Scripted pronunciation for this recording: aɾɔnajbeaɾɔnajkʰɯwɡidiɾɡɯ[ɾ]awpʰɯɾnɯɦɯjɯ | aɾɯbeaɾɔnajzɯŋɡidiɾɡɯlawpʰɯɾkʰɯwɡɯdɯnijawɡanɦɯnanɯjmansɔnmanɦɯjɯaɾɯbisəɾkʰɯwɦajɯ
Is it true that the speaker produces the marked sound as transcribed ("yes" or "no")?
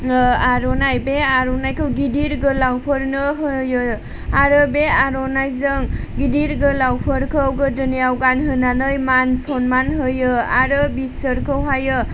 no